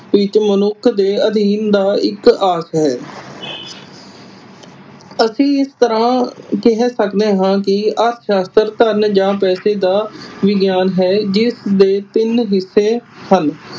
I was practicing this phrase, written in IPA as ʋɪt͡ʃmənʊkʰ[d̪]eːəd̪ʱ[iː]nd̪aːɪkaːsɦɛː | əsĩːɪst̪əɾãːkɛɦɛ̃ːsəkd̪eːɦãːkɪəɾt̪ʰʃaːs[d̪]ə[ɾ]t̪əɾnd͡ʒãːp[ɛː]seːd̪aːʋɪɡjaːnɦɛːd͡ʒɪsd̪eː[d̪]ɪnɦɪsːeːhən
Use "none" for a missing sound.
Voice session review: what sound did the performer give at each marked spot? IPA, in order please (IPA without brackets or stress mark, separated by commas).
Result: d̪, iː, t̪, ɾ, ɛː, t̪